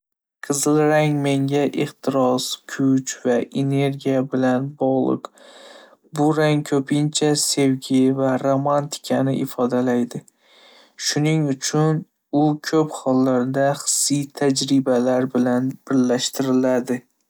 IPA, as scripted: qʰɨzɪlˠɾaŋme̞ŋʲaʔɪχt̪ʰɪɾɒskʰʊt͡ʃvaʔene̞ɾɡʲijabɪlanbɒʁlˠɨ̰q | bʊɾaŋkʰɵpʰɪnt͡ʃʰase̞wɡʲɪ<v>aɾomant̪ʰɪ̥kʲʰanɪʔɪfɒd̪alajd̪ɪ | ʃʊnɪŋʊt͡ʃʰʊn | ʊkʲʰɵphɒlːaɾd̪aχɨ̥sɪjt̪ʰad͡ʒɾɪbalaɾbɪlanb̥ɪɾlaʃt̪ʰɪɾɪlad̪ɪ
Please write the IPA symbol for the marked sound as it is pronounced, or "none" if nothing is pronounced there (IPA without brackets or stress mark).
v